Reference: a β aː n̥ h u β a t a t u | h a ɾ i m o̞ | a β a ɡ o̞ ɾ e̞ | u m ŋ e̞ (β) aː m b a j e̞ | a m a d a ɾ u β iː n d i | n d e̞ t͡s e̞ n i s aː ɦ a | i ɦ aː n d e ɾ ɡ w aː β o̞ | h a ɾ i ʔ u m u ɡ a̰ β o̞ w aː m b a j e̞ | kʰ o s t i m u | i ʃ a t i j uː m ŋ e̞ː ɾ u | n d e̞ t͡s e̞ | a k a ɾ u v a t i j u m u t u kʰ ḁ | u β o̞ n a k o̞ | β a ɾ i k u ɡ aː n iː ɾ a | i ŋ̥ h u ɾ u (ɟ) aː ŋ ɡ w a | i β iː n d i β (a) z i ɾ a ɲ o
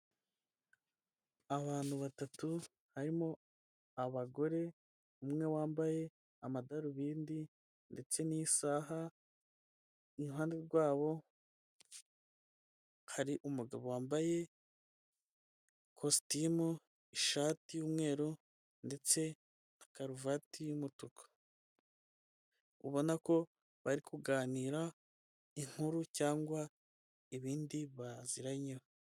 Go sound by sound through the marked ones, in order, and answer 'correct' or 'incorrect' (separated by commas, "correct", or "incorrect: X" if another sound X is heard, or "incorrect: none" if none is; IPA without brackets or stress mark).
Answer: incorrect: w, incorrect: c, correct